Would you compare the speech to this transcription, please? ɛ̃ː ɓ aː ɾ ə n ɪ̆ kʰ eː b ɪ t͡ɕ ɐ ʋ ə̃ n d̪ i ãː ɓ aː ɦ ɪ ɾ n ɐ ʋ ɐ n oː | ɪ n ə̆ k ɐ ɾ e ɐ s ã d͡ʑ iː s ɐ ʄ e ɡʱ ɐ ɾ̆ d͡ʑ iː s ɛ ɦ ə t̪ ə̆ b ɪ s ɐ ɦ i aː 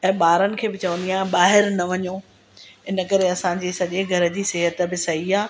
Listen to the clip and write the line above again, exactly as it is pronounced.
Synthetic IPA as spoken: ɛ̃ː ɓ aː ɾ ə n ɪ̆ kʰ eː b ɪ t͡ɕ ɐ ʋ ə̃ n d̪ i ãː ɓ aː ɦ ɪ ɾ n ɐ ʋ ɐ ɲ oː | ɪ n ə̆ k ɐ ɾ e ɐ s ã d͡ʑ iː s ɐ ʄ e ɡʱ ɐ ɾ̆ d͡ʑ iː s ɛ ɦ ə t̪ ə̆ b ɪ s ɐ ɦ i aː